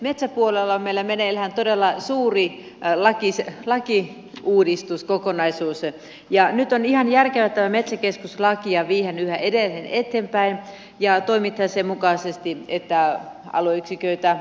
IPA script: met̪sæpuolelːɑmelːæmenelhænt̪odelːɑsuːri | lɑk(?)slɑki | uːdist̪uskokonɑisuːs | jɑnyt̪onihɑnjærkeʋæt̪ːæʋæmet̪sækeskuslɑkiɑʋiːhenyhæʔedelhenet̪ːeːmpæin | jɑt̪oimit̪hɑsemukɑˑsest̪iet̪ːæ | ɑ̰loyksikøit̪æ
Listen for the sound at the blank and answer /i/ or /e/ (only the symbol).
i